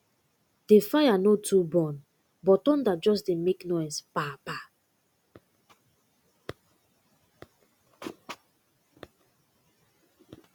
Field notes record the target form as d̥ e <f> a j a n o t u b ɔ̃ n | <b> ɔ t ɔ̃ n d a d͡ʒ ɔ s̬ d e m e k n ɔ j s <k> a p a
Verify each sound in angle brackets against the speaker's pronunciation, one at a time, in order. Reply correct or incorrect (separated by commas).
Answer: correct, correct, incorrect